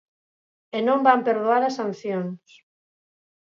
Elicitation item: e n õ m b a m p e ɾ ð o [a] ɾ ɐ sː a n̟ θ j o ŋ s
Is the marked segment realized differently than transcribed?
no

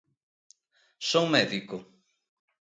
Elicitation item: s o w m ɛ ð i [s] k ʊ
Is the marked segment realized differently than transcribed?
yes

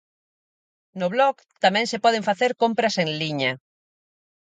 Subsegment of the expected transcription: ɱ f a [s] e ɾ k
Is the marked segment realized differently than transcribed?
yes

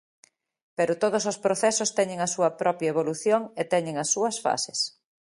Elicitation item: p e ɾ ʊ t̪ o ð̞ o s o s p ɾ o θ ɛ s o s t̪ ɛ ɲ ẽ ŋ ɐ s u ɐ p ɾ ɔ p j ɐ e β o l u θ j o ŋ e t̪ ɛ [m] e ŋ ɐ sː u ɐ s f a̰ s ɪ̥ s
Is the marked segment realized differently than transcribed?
yes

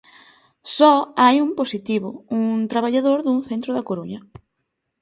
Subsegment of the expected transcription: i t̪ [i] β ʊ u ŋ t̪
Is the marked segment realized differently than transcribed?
no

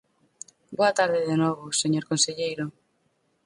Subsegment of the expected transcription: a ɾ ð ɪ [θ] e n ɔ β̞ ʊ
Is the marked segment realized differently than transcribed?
yes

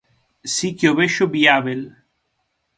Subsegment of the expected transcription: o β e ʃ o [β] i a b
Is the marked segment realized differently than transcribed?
yes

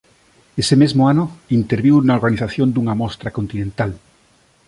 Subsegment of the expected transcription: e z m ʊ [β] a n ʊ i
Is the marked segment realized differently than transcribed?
yes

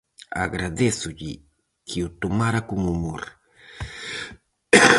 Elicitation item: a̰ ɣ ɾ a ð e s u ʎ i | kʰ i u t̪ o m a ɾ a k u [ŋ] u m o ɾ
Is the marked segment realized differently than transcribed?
no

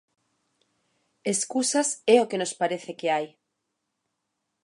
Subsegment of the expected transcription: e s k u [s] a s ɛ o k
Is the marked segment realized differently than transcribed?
no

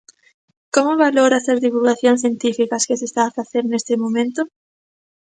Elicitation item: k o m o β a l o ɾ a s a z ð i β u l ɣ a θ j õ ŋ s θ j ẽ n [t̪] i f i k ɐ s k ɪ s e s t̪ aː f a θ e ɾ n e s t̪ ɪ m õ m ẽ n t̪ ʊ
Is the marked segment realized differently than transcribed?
no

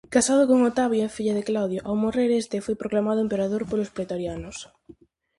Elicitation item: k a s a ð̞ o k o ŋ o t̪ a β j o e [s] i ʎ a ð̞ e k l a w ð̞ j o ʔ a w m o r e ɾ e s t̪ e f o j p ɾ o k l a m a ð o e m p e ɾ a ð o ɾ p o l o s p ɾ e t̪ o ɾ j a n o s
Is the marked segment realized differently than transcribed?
yes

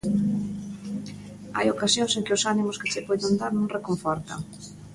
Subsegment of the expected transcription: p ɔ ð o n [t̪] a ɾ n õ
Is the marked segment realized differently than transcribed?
yes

